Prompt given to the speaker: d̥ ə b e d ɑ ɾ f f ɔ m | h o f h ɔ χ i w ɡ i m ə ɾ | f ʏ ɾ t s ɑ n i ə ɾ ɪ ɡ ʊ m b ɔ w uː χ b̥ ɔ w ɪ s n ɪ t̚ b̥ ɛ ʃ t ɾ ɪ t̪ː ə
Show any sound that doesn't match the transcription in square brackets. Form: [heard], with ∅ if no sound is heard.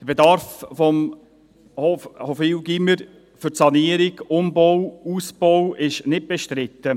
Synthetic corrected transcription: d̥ ə b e d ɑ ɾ f f ɔ m | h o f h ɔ [f] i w ɡ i m ə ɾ | f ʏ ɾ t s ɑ n i ə ɾ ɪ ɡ ʊ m b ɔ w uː [s] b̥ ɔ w ɪ [ʃ] n ɪ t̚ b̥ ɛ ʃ t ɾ ɪ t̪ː ə